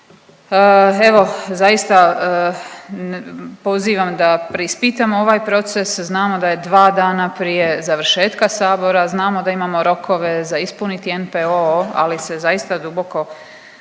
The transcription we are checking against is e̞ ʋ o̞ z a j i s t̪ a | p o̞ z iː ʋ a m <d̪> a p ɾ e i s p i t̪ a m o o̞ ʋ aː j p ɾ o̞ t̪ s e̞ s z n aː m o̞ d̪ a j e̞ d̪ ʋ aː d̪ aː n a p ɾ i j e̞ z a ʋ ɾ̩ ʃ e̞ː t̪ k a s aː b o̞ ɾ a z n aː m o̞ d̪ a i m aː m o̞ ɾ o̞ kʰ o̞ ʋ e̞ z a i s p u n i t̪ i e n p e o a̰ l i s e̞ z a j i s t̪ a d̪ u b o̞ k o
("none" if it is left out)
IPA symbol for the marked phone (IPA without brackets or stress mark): d̪